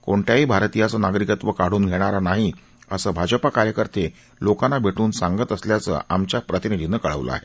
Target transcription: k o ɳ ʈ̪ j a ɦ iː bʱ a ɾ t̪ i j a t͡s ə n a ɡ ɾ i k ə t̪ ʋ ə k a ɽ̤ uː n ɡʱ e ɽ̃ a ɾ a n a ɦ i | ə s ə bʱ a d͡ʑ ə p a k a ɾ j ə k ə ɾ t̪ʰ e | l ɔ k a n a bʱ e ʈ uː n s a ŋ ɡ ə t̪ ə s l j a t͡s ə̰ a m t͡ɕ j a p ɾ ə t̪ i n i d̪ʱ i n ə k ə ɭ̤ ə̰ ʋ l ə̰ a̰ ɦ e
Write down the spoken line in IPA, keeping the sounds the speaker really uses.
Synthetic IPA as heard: k o ɳ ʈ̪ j a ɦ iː bʱ a ɾ t̪ i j a t͡s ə n a ɡ ɾ i k ə t̪ ʋ ə k a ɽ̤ uː n ɡʱ e ɽ̃ a ɾ a n a ɦ i | ə s ə bʱ a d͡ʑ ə p a k a ɾ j ə k ə ɾ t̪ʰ e | l o k a n a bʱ e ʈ uː n s a ŋ ɡ ə t̪ ə s l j a t͡s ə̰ a m t͡ɕ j a p ɾ ə t̪ i n i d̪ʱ i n ə k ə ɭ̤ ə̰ ʋ l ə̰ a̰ ɦ e